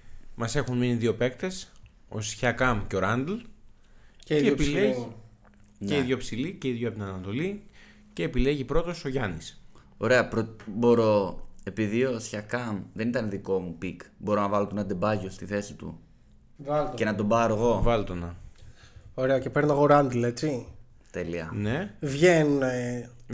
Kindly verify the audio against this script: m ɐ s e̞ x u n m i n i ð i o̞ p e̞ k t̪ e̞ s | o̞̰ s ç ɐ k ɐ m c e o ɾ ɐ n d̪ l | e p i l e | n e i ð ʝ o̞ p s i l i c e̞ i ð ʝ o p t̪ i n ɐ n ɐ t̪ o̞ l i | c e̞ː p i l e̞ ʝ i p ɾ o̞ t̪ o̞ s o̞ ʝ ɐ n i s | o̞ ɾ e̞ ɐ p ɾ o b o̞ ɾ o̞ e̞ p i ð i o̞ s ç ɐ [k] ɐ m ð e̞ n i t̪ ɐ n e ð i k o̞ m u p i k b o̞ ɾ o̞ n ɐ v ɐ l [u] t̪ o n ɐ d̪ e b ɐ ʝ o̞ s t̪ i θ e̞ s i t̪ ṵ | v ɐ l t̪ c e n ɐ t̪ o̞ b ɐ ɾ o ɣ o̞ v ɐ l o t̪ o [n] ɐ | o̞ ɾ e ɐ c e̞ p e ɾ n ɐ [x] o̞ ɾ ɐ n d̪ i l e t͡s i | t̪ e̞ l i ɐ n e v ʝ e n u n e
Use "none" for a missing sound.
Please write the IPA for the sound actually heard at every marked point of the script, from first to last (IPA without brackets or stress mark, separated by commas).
k, o, n, ɣ